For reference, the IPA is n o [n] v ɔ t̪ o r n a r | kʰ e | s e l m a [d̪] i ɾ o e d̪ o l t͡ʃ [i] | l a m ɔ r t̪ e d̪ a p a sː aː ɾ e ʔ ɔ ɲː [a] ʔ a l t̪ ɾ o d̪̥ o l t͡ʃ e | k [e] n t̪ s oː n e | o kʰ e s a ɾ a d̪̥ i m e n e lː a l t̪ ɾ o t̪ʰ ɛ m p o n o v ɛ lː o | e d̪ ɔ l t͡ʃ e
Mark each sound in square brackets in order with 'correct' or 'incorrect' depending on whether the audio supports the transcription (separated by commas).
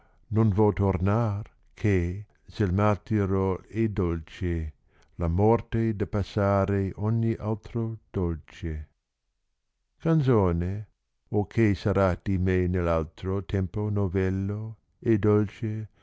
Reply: correct, incorrect, incorrect, incorrect, incorrect